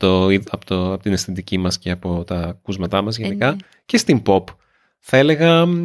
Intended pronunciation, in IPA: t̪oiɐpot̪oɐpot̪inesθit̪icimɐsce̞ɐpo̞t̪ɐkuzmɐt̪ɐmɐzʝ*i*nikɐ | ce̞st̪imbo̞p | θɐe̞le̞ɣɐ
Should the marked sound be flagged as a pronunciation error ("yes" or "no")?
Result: yes